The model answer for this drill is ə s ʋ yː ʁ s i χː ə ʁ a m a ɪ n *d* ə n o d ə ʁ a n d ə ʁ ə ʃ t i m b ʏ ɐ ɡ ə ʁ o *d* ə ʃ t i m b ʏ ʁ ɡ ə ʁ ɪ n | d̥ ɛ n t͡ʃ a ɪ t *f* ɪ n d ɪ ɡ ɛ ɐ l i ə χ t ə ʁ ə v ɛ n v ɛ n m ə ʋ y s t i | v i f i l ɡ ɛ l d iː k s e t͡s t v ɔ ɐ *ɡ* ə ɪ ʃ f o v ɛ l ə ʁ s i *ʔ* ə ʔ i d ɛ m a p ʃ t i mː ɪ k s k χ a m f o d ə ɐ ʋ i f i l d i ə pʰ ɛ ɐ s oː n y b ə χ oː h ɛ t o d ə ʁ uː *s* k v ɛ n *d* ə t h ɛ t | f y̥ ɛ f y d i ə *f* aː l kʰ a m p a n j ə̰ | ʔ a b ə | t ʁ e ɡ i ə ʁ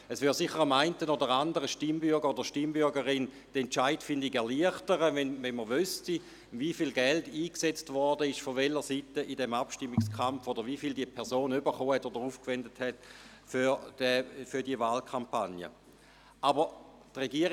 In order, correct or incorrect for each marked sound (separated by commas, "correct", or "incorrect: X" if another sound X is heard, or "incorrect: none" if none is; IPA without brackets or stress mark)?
incorrect: t, correct, correct, incorrect: d, incorrect: t, incorrect: f, correct, incorrect: v